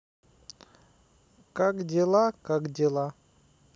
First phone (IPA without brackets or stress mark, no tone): k